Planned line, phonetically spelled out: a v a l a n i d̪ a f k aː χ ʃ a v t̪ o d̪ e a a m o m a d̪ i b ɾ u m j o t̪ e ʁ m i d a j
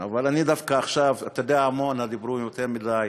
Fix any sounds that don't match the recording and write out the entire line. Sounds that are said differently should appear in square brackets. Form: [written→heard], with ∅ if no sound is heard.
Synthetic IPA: a v a l a n i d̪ a f k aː χ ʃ a v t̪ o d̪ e a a m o [m→n] a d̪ i b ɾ u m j o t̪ e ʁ m i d a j